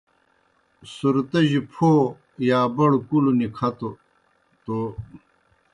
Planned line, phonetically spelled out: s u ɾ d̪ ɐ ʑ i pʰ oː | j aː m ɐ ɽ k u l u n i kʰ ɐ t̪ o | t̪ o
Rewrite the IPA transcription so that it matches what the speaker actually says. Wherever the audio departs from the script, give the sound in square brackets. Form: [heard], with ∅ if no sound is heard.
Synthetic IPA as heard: s u ɾ [t̪] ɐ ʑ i pʰ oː | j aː [b] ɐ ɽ k u l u n i kʰ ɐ t̪ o | t̪ o